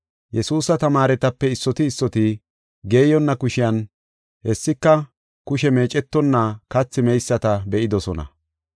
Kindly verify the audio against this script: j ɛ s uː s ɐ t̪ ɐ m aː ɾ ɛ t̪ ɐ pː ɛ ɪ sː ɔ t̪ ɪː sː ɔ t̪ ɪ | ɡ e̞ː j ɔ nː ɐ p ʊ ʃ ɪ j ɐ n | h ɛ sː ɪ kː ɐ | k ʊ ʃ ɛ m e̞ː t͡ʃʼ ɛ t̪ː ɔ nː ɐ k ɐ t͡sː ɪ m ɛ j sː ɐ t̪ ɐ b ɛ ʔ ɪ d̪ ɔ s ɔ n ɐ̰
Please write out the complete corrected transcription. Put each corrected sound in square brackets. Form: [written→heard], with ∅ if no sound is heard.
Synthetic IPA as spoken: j ɛ s uː s ɐ t̪ ɐ m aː ɾ ɛ t̪ ɐ pː ɛ ɪ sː ɔ t̪ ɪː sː ɔ t̪ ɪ | ɡ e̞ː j ɔ nː ɐ [p→k] ʊ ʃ ɪ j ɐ n | h ɛ sː ɪ kː ɐ | k ʊ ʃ ɛ m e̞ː t͡ʃʼ ɛ t̪ː ɔ nː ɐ k ɐ t͡sː ɪ m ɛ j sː ɐ t̪ ɐ b ɛ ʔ ɪ d̪ ɔ s ɔ n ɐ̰